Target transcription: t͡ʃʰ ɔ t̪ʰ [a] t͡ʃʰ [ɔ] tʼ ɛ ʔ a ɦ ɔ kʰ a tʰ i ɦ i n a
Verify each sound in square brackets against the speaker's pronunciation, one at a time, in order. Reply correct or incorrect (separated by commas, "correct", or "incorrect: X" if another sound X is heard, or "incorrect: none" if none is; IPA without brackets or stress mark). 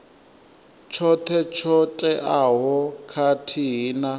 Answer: incorrect: ɛ, correct